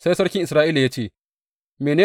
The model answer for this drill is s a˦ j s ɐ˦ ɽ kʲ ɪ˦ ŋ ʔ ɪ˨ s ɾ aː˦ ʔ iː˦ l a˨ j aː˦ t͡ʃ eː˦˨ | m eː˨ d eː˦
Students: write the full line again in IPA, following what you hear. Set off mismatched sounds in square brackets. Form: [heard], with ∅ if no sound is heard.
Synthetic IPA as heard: s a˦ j s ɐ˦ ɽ kʲ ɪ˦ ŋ ʔ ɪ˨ s ɾ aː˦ ʔ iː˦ l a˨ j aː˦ t͡ʃ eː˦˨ | m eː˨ [n] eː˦